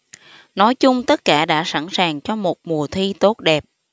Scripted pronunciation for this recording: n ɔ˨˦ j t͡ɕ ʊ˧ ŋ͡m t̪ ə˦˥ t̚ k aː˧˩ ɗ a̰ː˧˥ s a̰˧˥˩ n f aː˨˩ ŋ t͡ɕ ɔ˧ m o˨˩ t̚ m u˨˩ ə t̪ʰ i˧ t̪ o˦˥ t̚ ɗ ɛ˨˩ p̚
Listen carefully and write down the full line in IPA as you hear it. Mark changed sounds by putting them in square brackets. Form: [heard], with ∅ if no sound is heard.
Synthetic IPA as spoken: n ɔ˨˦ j t͡ɕ ʊ˧ ŋ͡m t̪ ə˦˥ t̚ k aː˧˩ ɗ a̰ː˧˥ s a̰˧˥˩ n [s] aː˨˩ ŋ t͡ɕ ɔ˧ m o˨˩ t̚ m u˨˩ ə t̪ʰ i˧ t̪ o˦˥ t̚ ɗ ɛ˨˩ p̚

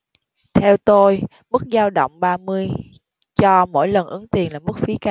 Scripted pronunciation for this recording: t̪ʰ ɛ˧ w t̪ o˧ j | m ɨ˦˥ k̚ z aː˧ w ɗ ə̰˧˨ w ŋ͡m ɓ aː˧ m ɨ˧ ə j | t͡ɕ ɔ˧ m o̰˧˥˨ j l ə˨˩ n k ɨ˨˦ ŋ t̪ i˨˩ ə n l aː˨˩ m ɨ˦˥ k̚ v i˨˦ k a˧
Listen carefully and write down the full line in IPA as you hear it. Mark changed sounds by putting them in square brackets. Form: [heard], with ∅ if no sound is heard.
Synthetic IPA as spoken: t̪ʰ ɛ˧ w t̪ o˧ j | m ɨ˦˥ k̚ z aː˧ w ɗ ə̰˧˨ w ŋ͡m ɓ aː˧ m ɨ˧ ə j | t͡ɕ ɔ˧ m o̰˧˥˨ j l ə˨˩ n [ʔ] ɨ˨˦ ŋ t̪ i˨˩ ə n l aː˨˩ m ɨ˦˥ k̚ [f] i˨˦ k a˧

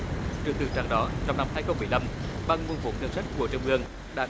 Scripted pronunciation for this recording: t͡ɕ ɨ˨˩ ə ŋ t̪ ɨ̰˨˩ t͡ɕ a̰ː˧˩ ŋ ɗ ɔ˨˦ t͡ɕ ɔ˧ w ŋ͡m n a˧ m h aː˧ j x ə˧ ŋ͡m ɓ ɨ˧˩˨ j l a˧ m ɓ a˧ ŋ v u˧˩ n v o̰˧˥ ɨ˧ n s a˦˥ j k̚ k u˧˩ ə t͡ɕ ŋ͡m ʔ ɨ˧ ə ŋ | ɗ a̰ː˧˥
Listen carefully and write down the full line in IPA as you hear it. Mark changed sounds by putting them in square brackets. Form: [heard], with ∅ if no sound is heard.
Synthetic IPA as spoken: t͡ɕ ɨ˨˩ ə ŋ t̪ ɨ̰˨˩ t͡ɕ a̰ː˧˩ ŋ ɗ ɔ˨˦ t͡ɕ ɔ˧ w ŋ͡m n a˧ m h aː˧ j x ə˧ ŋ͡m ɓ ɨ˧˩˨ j l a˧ m ɓ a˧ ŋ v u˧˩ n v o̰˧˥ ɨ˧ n s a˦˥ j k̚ k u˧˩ ə t͡ɕ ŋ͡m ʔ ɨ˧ ə ŋ | ɗ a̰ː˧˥

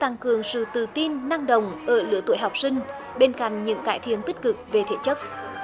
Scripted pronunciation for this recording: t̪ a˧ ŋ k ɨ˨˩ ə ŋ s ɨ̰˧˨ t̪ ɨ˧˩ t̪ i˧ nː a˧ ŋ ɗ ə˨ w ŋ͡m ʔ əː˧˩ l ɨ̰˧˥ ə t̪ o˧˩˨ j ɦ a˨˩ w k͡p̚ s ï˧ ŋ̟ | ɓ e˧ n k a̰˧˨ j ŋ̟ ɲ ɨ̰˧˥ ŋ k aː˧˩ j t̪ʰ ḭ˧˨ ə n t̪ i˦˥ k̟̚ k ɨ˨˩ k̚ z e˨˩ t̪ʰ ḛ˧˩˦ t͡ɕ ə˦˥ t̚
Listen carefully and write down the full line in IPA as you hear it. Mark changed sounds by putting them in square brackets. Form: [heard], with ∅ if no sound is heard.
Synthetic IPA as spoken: t̪ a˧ ŋ k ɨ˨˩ ə ŋ s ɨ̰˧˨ t̪ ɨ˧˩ t̪ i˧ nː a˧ ŋ ɗ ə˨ w ŋ͡m ʔ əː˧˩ l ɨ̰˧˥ ə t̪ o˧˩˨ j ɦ a˨˩ w k͡p̚ s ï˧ ŋ̟ | ɓ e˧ n k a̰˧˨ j ŋ̟ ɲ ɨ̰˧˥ ŋ k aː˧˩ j t̪ʰ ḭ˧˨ ə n t̪ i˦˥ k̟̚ k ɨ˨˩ k̚ [v] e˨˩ t̪ʰ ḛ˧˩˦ t͡ɕ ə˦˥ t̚

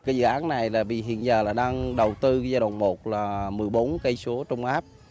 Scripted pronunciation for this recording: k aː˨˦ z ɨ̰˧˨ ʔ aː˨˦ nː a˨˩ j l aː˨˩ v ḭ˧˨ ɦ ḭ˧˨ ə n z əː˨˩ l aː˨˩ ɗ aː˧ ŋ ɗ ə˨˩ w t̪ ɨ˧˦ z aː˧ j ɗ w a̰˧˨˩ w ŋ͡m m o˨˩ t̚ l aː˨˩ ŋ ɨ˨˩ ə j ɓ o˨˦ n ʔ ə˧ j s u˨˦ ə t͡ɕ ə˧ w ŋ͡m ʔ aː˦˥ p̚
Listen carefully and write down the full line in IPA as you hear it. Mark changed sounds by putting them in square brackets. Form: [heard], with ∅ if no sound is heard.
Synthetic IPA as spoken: k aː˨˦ z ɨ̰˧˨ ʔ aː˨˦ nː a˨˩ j l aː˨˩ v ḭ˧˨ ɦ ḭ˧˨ ə n z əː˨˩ l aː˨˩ ɗ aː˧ ŋ ɗ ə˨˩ w t̪ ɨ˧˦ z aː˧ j ɗ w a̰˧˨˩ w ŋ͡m m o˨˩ t̚ l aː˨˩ [m] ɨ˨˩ ə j ɓ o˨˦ n [k] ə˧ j s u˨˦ ə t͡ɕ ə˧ w ŋ͡m ʔ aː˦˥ p̚

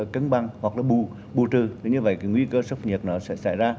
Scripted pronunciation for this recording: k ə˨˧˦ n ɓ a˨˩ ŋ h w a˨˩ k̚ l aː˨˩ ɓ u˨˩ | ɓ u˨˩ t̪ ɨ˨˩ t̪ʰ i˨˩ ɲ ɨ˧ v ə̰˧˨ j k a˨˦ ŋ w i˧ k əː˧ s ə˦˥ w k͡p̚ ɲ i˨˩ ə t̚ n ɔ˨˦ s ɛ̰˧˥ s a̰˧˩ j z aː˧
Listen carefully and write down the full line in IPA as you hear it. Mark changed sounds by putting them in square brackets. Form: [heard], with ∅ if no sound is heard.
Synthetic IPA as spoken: k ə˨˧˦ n ɓ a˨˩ ŋ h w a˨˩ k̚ l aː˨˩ ɓ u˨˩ | ɓ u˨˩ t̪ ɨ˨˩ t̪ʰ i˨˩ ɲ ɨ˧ v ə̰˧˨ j k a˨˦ ŋ w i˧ k əː˧ s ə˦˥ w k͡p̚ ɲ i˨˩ ə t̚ n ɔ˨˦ s ɛ̰˧˥ s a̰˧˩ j z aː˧

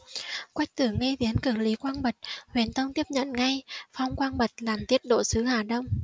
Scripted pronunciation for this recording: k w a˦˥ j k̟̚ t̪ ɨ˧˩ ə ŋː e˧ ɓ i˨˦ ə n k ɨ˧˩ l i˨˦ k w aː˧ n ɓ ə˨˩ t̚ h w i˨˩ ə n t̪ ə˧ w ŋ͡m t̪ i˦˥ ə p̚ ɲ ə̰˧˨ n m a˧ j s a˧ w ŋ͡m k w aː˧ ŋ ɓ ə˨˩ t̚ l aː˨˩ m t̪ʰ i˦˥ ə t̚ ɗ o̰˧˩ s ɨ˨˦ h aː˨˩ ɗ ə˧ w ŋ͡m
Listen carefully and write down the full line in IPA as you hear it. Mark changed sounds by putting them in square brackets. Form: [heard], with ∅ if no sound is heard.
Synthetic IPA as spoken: k w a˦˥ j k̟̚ t̪ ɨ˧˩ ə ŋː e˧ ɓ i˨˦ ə n k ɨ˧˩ l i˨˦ k w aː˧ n ɓ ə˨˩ t̚ h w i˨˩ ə n t̪ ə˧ w ŋ͡m t̪ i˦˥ ə p̚ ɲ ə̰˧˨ n [ŋ] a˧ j [f] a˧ w ŋ͡m k w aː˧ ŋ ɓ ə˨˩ t̚ l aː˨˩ m [t̪] i˦˥ ə t̚ ɗ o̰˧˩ s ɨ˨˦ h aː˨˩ ɗ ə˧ w ŋ͡m

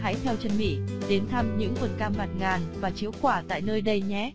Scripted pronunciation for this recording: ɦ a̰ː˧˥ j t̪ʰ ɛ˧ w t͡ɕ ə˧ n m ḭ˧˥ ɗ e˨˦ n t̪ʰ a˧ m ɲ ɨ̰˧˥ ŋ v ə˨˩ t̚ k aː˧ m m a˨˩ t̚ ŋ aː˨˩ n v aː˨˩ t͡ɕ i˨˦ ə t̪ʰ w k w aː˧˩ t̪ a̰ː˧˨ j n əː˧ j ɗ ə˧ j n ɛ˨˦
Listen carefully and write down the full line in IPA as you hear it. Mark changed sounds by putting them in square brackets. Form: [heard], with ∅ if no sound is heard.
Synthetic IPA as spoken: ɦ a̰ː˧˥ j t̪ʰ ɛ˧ w t͡ɕ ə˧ n m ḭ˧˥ ɗ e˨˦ n t̪ʰ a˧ m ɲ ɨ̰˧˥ ŋ v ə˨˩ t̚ k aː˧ m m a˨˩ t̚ ŋ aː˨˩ n v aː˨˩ t͡ɕ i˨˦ ə [∅] w k w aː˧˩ t̪ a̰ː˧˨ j n əː˧ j ɗ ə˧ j [ɲ] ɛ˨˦

